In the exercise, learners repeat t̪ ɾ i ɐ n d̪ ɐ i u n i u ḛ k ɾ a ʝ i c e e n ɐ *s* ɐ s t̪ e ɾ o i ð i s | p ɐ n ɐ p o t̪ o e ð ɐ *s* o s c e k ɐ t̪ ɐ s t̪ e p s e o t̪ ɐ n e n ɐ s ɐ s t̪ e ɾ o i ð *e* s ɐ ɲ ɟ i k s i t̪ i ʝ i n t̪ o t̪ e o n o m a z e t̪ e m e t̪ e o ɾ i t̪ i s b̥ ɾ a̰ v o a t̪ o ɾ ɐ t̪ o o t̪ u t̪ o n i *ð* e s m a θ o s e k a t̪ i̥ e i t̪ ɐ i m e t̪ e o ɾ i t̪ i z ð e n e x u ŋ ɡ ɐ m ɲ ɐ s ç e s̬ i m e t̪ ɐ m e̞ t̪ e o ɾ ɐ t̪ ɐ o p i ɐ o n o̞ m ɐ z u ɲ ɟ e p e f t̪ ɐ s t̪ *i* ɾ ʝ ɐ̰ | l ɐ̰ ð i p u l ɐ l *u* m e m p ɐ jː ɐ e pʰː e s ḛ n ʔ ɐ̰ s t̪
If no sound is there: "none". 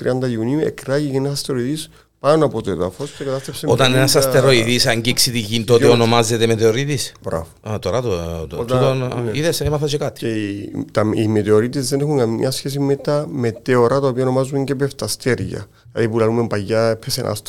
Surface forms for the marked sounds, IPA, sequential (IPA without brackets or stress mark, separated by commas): s, f, i, ð, e, u